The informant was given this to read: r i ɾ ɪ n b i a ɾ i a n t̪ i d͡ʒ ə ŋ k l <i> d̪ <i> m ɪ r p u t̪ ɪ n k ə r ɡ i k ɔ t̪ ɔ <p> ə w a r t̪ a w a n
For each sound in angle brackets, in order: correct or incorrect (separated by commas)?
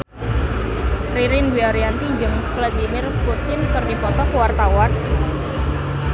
incorrect, correct, incorrect